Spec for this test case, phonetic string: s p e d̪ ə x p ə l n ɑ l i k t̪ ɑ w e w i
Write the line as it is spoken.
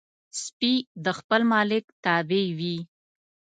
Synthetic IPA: s p i d̪ ə x p ə l m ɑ l ɪ k t̪ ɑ b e w i